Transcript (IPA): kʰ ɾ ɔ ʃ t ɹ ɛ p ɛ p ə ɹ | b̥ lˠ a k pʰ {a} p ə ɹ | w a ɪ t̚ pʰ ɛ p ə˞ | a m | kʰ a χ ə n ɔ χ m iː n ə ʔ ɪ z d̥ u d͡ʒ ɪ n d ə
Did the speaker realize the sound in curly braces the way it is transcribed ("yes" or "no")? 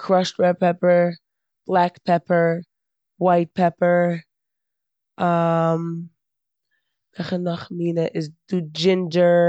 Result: no